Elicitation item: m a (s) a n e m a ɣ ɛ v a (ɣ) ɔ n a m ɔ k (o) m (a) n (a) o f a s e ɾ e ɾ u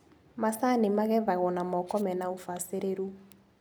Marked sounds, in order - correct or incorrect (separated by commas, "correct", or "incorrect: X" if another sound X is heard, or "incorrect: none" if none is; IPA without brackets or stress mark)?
correct, correct, incorrect: ɔ, incorrect: ɛ, correct